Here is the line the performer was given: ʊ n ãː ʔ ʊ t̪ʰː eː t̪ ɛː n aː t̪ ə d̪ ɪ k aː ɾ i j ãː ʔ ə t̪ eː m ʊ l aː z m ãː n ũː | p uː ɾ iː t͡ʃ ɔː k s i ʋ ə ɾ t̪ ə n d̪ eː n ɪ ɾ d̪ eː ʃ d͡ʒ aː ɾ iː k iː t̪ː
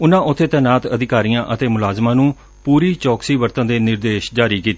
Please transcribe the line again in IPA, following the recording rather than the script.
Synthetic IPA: ʊ n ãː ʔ ʊ t̪ʰː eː t̪ ɛː n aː t̪ ə d̪ ɪ k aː ɾ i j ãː ʔ ə t̪ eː m ʊ l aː z m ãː n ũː | p uː ɾ iː t͡ʃ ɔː k s iː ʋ ə ɾ t̪ ə n d̪ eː n ɪ ɾ d̪ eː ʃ d͡ʒ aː ɾ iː k iː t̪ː